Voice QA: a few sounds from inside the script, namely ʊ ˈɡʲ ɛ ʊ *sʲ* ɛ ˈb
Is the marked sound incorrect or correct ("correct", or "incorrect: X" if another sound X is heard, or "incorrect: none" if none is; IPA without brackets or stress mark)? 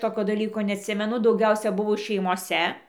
correct